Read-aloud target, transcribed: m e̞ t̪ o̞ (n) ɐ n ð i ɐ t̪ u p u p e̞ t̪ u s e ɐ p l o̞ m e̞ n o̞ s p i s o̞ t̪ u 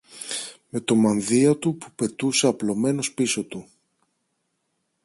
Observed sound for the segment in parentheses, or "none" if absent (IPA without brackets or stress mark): m